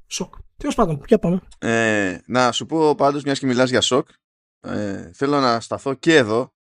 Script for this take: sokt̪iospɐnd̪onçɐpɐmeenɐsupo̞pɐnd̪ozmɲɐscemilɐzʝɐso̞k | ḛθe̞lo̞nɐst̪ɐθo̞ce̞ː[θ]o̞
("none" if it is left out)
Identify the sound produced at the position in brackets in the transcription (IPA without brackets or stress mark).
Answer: ð